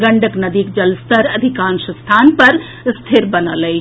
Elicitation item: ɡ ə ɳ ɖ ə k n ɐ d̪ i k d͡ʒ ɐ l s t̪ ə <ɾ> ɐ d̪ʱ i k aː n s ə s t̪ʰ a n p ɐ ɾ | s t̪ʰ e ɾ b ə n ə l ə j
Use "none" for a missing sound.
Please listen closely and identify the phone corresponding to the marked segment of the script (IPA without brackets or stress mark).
ɾ